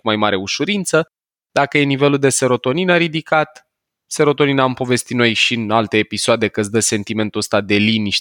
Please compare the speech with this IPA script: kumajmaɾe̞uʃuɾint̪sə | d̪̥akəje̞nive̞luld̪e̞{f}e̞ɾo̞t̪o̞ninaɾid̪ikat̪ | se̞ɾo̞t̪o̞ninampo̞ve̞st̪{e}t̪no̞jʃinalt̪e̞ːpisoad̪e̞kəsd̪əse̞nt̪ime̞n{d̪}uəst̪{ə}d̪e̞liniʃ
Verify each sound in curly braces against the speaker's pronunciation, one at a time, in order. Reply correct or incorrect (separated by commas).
incorrect, incorrect, incorrect, incorrect